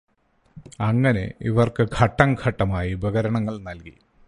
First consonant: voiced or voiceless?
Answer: voiced